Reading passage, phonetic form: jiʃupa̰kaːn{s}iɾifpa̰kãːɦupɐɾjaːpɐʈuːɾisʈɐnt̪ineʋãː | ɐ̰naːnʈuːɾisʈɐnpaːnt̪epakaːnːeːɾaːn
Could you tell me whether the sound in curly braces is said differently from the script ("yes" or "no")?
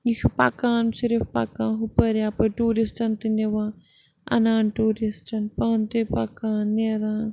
no